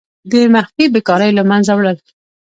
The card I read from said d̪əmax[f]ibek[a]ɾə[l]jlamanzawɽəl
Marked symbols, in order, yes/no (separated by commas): yes, no, no